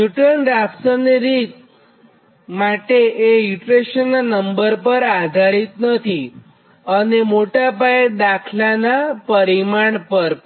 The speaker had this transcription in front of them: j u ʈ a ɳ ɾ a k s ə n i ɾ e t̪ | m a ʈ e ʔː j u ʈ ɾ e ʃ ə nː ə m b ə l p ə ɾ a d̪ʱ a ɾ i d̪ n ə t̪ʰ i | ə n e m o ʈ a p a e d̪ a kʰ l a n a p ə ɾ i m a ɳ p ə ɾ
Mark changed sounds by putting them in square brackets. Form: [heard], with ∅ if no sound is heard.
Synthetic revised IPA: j u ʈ [ə] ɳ ɾ a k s ə n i ɾ [i] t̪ | m a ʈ e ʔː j u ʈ ɾ e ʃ ə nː ə m b ə [ɾ] p ə ɾ a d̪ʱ a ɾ i [t̪] n ə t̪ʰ i | ə n e m o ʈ a p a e d̪ a kʰ l a n a p ə ɾ i m a ɳ p ə ɾ

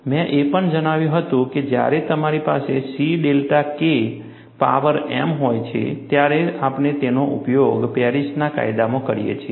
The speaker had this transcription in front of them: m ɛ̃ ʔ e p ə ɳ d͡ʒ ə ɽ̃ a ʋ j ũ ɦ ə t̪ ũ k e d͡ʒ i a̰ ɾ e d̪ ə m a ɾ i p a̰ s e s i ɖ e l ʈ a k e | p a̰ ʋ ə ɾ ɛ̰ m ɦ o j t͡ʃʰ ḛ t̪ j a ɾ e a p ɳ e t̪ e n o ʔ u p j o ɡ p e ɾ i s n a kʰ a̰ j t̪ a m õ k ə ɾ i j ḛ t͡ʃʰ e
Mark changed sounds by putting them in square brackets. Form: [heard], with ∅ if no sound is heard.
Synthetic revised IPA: m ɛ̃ ʔ e p ə ɳ d͡ʒ ə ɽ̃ a ʋ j ũ ɦ ə t̪ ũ k e d͡ʒ [j] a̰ ɾ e [t̪] ə m a ɾ i p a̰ s e s i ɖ e l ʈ a k e | p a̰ ʋ ə ɾ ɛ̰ m ɦ o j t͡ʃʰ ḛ t̪ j a ɾ e a p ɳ e t̪ e n o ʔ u p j o ɡ p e ɾ i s n a [k] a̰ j [d̪] a m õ k ə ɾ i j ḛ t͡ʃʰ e

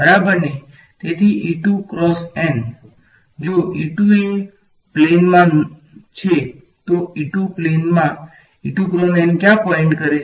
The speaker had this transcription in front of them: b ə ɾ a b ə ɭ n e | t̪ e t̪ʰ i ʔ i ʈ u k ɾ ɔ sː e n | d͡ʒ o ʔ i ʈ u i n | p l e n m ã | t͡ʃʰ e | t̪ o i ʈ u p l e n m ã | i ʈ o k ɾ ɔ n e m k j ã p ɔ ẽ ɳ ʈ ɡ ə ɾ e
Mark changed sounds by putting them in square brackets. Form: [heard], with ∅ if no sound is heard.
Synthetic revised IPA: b ə ɾ a b ə [ɾ] n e | t̪ e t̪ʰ i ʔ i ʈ u k ɾ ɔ [s] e n | d͡ʒ o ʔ i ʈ u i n | p l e n m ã | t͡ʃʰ e | t̪ o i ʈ u p l e n m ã | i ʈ [u] k ɾ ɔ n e [n] k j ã p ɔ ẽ ɳ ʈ [k] ə ɾ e

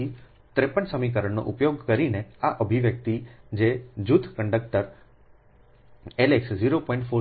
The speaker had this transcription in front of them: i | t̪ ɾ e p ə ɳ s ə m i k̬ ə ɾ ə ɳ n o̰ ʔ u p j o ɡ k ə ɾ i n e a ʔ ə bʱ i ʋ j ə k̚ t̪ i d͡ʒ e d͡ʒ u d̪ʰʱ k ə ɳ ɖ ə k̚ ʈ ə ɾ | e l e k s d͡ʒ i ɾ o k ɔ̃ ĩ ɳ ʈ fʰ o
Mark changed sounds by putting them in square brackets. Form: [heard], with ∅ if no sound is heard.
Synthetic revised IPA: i | t̪ ɾ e p ə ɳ s ə m i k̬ ə ɾ ə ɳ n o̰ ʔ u p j o ɡ k ə ɾ i n e a ʔ ə bʱ i ʋ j ə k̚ t̪ i d͡ʒ e d͡ʒ u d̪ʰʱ k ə ɳ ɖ ə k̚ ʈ ə ɾ | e l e k s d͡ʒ i ɾ o [p] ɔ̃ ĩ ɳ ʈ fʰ o

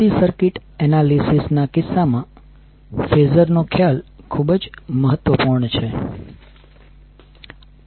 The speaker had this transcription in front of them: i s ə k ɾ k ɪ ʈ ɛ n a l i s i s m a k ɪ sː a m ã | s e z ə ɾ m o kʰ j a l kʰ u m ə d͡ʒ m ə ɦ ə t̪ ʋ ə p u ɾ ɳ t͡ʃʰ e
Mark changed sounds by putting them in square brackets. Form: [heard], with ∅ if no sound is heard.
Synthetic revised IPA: i s ə [∅] ɾ k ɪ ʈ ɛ n a l i s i s [n] a k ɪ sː a m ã | [f] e z ə ɾ [n] o kʰ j a l kʰ u [b] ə d͡ʒ m ə ɦ ə t̪ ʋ ə p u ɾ ɳ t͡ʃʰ e

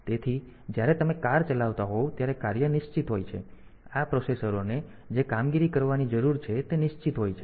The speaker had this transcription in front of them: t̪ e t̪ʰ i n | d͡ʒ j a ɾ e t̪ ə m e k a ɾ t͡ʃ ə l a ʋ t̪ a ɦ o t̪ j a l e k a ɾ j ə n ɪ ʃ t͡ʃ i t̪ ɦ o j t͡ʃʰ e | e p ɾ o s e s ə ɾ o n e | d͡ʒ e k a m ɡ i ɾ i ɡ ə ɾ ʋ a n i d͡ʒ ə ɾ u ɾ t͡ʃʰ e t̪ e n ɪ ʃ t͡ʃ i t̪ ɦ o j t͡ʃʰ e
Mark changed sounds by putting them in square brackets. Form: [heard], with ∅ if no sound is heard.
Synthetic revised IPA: t̪ e t̪ʰ i [∅] | d͡ʒ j a ɾ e t̪ ə m e k a ɾ t͡ʃ ə l a ʋ t̪ a ɦ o t̪ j a [ɾ] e k a ɾ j ə n ɪ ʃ t͡ʃ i t̪ ɦ o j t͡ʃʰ e | [a] p ɾ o s e s ə ɾ o n e | d͡ʒ e k a m ɡ i ɾ i [k] ə ɾ ʋ a n i d͡ʒ ə ɾ u ɾ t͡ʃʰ e t̪ e n ɪ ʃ t͡ʃ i t̪ ɦ o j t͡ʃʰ e

